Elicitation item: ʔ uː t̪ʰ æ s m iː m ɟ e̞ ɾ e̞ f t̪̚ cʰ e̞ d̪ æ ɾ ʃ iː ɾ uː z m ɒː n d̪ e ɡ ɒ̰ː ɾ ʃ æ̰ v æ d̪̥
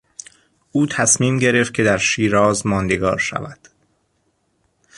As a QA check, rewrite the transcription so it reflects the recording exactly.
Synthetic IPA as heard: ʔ uː t̪ʰ æ s m iː m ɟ e̞ ɾ e̞ f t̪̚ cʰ e̞ d̪ æ ɾ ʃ iː ɾ ɒː z m ɒː n d̪ e ɡ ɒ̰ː ɾ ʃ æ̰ v æ d̪̥